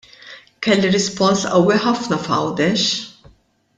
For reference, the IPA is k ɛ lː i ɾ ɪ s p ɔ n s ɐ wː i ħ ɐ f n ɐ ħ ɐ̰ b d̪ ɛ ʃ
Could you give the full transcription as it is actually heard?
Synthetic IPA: k ɛ lː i ɾ ɪ s p ɔ n s ɐ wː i ħ ɐ f n ɐ f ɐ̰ w d̪ ɛ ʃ